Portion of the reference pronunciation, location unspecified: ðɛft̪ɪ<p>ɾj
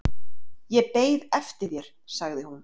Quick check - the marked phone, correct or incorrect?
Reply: incorrect: none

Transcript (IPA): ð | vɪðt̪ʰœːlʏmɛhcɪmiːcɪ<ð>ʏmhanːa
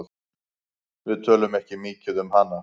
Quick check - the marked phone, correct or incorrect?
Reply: correct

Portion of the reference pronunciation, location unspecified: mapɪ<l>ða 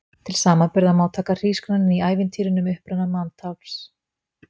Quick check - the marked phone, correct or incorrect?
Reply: incorrect: ɾ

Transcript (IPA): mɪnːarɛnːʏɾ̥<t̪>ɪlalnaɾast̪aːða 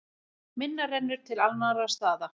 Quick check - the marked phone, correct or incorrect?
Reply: incorrect: t̪ʰ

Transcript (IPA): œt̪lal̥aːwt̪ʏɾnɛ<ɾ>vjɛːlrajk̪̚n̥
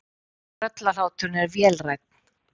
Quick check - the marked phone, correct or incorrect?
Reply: correct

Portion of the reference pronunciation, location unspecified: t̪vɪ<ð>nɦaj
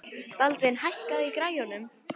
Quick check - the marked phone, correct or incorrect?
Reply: incorrect: none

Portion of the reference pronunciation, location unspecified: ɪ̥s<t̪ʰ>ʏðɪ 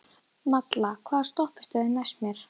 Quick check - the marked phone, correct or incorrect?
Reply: incorrect: t̪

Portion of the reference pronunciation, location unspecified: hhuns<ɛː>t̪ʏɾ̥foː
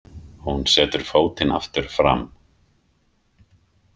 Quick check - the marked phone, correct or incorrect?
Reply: correct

